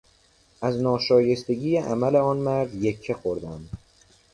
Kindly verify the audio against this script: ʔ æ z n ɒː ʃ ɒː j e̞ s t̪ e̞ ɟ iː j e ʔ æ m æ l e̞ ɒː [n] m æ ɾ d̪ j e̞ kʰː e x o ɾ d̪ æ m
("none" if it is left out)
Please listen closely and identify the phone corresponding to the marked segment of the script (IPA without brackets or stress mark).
n